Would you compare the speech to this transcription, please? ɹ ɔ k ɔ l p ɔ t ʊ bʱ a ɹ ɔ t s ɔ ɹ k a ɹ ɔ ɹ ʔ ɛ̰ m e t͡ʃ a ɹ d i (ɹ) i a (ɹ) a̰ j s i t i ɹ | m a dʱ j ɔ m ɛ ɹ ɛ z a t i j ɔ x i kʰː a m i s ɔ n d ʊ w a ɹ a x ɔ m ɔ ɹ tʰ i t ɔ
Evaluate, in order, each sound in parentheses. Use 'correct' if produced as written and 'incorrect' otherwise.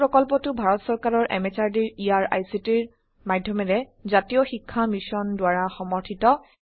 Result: correct, correct

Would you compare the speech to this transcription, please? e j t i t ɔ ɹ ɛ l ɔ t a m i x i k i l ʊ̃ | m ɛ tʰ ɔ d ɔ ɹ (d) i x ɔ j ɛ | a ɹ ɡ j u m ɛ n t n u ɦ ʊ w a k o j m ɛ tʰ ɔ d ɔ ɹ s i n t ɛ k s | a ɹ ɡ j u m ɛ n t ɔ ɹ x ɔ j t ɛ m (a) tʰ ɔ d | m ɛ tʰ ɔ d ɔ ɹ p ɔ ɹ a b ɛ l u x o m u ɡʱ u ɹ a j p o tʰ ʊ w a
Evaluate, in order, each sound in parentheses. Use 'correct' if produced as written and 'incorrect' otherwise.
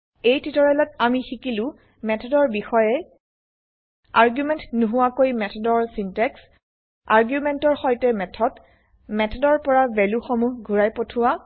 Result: incorrect: b, incorrect: ɛ

